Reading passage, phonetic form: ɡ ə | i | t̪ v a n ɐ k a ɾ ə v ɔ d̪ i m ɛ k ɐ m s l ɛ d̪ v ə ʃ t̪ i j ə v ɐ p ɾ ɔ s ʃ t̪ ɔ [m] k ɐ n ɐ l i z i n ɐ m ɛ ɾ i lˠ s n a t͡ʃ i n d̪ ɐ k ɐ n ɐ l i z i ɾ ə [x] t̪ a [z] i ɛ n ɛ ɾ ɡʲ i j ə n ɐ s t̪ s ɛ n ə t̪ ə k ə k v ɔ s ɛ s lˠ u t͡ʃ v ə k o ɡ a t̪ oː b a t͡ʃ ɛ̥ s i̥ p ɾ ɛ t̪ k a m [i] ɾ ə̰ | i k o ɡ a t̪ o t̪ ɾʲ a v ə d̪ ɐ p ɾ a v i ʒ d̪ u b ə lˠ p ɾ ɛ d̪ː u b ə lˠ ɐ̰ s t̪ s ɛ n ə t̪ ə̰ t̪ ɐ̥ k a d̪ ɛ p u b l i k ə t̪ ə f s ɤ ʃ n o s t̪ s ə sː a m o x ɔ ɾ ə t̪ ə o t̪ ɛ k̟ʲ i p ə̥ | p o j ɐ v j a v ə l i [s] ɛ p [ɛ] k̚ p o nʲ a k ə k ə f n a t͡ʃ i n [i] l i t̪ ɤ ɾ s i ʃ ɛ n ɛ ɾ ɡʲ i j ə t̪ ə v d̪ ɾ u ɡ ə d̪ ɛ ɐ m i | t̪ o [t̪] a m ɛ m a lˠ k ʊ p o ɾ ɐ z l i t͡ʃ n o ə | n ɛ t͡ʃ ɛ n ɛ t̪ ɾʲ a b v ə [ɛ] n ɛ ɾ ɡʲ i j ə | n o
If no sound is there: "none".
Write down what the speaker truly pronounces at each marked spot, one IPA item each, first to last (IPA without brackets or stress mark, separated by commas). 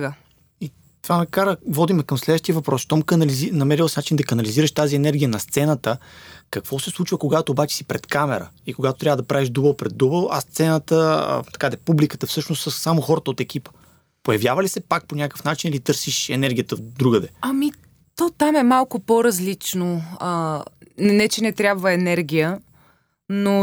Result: m, ʃ, z, ɛ, s, a, i, t̪, ɛ